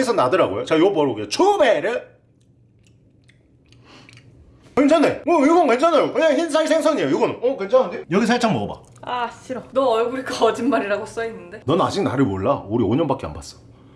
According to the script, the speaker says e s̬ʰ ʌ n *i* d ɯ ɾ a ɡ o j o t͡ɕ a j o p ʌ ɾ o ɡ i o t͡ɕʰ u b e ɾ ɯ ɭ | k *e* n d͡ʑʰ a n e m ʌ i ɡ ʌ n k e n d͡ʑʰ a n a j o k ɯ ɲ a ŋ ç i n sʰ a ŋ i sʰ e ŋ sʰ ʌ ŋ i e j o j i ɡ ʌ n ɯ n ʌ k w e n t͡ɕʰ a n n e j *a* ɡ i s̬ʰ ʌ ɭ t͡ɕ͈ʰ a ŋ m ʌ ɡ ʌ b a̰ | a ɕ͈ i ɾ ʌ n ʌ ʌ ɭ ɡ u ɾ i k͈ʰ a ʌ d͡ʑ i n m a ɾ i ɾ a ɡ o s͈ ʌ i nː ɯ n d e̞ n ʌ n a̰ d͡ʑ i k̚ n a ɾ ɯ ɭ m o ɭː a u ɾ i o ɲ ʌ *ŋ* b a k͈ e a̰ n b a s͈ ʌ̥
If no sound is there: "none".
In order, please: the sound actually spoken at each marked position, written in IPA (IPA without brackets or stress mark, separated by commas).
a, e, ʌ, n